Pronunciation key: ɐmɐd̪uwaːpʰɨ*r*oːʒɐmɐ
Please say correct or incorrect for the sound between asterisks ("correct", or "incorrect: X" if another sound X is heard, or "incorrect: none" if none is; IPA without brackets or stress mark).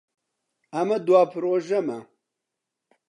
incorrect: ɾ